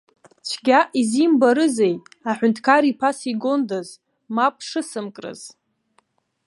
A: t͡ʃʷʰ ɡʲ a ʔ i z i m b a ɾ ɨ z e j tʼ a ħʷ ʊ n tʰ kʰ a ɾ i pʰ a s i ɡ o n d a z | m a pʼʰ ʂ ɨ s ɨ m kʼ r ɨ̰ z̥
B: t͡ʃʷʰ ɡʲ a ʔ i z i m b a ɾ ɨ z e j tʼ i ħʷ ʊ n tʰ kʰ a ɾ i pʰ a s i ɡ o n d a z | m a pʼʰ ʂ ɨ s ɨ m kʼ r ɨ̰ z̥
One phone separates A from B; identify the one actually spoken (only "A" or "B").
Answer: A